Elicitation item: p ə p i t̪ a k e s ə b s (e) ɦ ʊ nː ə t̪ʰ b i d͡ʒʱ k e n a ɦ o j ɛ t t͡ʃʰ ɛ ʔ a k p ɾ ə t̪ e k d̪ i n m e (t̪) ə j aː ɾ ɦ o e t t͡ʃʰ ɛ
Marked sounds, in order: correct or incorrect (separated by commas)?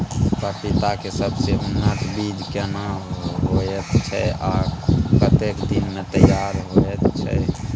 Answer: correct, correct